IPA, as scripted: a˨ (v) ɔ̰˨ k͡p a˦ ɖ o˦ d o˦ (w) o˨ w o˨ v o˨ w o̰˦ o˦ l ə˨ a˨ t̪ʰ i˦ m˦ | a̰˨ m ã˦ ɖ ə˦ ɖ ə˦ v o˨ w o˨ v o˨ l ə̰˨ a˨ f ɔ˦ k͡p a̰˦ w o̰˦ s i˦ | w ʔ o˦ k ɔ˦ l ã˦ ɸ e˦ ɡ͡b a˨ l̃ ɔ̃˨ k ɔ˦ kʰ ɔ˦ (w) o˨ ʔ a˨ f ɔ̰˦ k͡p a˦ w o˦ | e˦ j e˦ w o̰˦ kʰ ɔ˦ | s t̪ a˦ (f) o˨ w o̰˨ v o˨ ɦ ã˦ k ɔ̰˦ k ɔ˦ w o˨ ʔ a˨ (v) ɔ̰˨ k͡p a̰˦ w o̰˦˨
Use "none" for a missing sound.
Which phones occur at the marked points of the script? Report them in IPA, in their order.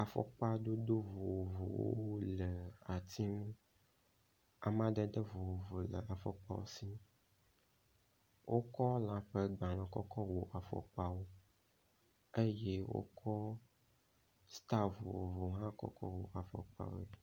f, v, w, v, f

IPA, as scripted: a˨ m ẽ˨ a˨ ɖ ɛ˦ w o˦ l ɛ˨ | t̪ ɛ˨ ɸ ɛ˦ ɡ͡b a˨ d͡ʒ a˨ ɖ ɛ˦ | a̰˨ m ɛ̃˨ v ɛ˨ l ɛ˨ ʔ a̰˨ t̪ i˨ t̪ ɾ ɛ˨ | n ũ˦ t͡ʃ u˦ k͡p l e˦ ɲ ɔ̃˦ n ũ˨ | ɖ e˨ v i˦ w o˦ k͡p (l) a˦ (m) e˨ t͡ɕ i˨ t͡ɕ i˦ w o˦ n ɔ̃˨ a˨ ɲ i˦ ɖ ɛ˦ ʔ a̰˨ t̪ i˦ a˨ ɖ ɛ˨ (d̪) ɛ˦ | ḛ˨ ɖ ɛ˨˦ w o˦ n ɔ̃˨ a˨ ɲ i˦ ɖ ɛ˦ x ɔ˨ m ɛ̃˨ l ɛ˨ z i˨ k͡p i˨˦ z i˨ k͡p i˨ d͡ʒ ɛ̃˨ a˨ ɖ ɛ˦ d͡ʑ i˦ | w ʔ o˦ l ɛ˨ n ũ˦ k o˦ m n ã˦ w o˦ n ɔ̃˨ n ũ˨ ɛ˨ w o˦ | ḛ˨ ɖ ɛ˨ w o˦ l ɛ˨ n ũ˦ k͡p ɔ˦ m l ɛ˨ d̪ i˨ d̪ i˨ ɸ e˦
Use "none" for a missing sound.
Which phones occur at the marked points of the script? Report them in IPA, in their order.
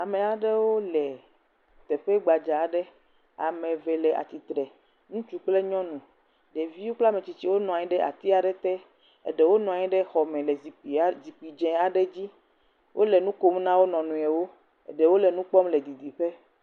l, m, t̪

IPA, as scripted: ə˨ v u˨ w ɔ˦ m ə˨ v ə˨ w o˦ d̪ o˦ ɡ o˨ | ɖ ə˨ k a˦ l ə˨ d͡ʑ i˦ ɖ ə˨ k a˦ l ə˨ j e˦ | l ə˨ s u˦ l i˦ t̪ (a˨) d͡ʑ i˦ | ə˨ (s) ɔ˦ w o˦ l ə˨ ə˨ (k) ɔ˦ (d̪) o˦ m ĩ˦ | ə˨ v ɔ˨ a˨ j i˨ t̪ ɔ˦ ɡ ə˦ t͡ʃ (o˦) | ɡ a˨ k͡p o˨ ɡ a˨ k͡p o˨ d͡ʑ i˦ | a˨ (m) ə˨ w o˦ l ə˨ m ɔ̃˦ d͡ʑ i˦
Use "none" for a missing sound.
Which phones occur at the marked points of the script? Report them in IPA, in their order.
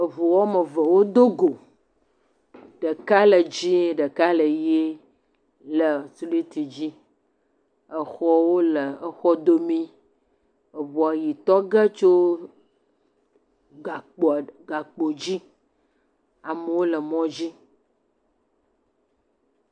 i˨, x, x, d̪, o˦, m

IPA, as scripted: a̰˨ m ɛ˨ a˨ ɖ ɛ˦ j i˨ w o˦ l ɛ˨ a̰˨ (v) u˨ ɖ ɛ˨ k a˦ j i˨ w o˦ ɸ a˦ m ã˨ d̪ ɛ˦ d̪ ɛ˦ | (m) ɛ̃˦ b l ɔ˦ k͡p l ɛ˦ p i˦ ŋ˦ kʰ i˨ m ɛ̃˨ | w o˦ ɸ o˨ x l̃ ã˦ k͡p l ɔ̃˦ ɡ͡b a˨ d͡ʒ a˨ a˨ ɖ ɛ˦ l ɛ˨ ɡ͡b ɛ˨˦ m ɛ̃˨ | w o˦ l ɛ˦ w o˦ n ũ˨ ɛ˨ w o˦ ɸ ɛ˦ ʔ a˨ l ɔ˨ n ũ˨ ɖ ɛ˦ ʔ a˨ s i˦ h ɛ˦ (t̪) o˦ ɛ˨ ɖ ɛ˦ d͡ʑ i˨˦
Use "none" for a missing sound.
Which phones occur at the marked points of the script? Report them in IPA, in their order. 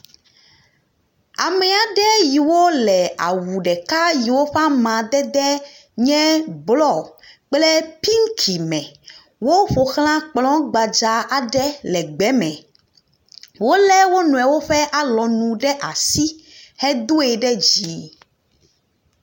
w, ɲ, d̪

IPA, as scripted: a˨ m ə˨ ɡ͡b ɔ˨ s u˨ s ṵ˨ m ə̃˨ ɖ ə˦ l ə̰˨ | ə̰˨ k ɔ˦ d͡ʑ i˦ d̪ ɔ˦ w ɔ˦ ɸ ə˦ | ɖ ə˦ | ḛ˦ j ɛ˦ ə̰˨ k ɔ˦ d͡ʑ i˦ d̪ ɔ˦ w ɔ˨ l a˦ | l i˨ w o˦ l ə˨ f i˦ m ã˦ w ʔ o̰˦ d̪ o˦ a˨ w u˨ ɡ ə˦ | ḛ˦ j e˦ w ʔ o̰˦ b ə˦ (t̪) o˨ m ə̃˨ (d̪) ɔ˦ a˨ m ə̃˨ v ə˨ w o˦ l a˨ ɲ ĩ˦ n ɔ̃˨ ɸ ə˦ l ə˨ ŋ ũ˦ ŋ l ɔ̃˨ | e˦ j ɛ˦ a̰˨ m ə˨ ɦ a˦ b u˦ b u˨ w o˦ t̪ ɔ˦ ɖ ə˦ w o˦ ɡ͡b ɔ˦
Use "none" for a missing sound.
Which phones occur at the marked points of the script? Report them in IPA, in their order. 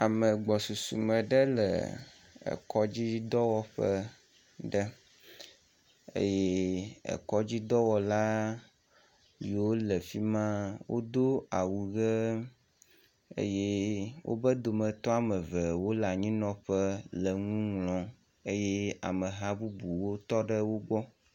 d̪, t̪

